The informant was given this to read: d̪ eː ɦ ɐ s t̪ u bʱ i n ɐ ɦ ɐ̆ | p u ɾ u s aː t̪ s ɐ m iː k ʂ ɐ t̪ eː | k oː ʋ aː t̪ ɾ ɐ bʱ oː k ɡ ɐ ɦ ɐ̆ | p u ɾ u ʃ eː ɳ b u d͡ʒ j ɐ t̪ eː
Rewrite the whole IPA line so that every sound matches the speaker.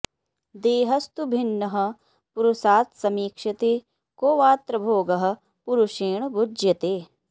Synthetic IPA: d̪ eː ɦ ɐ s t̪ u bʱ i nː ɐ ɦ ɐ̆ | p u ɾ u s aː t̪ s ɐ m iː k ʂ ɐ t̪ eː | k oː ʋ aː t̪ ɾ ɐ bʱ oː ɡ ɐ ɦ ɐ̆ | p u ɾ u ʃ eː ɳ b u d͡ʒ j ɐ t̪ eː